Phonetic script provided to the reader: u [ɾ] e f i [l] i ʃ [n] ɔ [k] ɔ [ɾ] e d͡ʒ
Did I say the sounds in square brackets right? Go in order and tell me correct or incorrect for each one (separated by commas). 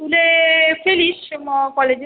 incorrect, correct, incorrect, correct, incorrect